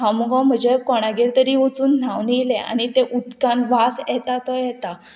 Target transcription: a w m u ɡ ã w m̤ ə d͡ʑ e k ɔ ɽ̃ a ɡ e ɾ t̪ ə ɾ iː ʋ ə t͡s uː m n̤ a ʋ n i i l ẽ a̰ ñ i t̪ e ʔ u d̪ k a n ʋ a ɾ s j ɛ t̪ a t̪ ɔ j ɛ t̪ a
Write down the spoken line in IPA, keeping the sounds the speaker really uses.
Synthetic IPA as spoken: a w m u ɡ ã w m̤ ə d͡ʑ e k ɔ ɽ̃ a ɡ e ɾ t̪ ə ɾ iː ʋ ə t͡s uː n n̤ a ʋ n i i l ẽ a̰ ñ i t̪ e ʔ u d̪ k a n ʋ a s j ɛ t̪ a t̪ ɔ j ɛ t̪ a